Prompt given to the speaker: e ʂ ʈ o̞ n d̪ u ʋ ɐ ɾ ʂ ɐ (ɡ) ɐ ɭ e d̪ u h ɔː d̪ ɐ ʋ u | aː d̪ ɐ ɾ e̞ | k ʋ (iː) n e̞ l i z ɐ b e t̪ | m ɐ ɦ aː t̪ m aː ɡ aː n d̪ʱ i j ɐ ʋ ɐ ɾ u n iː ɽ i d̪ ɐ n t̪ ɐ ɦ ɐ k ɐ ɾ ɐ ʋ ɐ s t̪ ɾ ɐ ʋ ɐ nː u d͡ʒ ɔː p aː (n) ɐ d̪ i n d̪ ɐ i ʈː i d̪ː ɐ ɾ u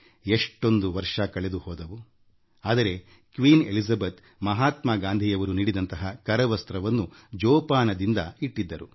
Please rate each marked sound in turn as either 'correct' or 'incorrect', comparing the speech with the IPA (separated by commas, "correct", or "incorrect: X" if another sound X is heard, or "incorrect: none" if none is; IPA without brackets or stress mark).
incorrect: k, correct, correct